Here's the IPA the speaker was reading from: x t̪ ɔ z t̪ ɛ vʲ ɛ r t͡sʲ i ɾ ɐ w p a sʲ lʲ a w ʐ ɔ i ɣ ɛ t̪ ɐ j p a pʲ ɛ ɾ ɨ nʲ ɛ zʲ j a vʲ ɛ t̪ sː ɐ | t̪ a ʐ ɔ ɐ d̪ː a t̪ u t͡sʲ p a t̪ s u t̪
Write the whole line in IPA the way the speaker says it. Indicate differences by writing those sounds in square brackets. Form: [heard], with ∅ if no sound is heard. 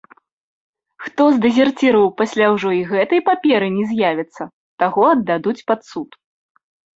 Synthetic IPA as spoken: x t̪ ɔ z [d̪] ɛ [zʲ] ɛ r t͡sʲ i ɾ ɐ w p a sʲ lʲ a w ʐ ɔ i ɣ ɛ t̪ ɐ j p a pʲ ɛ ɾ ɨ nʲ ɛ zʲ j a vʲ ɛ t̪ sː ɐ | t̪ a [ɣ] ɔ ɐ d̪ː a [d̪] u t͡sʲ p a t̪ s u t̪